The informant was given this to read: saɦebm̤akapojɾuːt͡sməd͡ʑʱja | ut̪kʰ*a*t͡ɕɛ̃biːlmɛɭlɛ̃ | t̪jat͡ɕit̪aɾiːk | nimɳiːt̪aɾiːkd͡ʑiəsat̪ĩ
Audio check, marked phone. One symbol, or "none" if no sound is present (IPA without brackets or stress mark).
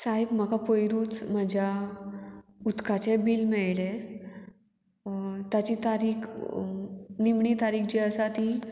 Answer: a